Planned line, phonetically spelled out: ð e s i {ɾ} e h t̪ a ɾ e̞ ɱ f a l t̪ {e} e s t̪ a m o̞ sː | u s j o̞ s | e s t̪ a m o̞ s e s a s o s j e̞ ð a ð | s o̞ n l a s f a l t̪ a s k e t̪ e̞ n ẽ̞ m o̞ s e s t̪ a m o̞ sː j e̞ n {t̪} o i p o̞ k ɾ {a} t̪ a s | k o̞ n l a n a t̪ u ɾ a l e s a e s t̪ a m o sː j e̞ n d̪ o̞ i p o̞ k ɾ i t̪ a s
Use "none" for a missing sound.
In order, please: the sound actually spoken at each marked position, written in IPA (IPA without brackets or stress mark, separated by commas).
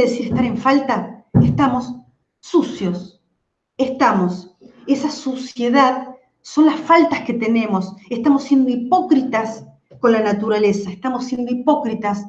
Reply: ɾ, a, d̪, i